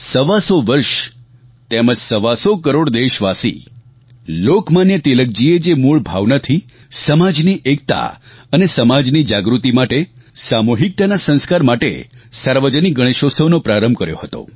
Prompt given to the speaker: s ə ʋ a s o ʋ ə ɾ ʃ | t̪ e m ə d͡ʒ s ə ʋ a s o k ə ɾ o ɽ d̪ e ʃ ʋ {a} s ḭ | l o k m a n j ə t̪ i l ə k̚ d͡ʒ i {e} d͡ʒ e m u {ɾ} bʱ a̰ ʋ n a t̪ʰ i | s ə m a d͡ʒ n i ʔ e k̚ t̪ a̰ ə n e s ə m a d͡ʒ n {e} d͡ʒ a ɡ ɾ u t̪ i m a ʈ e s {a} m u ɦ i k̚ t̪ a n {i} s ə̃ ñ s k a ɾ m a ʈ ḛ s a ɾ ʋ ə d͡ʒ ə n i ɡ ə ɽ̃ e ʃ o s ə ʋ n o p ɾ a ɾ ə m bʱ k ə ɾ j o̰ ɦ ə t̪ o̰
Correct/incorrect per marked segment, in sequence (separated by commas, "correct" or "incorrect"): correct, correct, incorrect, incorrect, correct, incorrect